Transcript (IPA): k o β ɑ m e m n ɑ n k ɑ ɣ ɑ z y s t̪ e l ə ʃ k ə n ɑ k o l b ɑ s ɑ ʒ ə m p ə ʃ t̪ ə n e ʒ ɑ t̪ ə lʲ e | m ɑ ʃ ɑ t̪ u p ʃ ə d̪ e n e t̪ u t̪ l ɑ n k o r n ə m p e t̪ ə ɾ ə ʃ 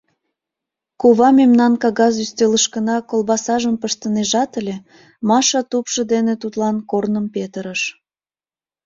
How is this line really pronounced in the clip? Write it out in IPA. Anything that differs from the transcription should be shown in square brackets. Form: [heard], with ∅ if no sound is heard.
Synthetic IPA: k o β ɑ m e m n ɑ n k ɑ ɣ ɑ z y s t̪ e l ə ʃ k ə n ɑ k o l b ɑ s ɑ ʒ ə m p ə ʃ t̪ ə n e ʒ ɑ t̪ ə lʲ e | m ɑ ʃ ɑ t̪ u p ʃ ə d̪ e n e t̪ u t̪ l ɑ n k o r n ə m p e t̪ ə ɾ ə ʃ

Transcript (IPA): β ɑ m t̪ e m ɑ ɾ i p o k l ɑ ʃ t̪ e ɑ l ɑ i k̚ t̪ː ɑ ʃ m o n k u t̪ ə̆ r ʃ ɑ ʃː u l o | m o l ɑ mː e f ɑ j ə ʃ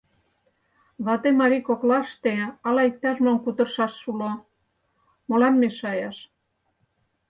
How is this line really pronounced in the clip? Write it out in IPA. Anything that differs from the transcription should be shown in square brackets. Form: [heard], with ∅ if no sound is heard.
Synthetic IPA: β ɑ [∅] t̪ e m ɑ ɾ i [k] o k l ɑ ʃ t̪ e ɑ l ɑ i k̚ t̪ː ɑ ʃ m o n k u t̪ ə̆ r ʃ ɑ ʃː u l o | m o l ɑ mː e [ʃ] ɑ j [ɑ] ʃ

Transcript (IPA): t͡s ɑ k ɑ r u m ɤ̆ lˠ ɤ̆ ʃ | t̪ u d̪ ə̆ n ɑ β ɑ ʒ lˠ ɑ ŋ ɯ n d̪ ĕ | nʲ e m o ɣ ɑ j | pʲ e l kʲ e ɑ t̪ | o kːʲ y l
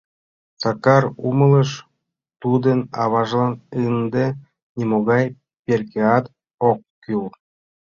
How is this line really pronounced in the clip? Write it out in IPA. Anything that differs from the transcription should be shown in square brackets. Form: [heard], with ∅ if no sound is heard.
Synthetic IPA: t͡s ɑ k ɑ r u m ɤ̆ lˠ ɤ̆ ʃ | t̪ u d̪ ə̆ n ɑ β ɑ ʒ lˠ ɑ [n] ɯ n d̪ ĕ | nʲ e m o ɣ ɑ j | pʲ e [r] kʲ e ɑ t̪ | o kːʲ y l

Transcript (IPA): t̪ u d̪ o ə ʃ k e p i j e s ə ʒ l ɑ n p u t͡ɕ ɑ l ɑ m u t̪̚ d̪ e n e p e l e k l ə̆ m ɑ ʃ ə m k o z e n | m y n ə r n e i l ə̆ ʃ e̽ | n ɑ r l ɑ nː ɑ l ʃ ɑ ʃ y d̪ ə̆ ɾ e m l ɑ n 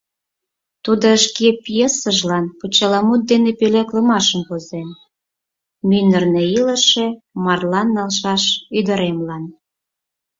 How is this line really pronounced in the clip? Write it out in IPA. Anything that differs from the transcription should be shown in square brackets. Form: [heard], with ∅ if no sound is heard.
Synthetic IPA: t̪ u d̪ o ə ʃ k e p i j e s ə ʒ l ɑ n p u t͡ɕ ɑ l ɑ m u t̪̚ d̪ e n e p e l e k l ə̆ m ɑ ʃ ə m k o z e n | m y n ə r n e i l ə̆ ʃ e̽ | [m] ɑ r l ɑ nː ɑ l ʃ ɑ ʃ y d̪ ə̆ ɾ e m l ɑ n

